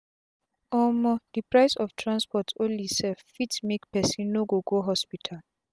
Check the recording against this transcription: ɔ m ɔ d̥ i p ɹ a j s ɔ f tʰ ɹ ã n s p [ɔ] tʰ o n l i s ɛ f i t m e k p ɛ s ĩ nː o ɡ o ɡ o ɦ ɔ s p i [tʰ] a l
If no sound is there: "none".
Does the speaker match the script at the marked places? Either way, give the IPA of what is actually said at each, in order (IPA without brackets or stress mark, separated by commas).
ɔ, tʰ